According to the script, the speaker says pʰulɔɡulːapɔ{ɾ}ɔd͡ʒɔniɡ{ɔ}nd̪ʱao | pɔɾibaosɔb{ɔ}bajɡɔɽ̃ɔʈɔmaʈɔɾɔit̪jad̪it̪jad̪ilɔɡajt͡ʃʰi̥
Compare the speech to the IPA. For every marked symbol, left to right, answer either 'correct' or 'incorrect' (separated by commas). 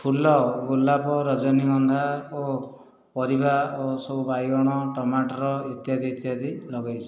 correct, correct, incorrect